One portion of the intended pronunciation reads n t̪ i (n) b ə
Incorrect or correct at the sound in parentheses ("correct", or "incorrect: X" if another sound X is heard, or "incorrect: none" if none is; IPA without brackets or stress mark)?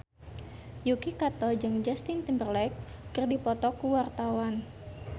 incorrect: m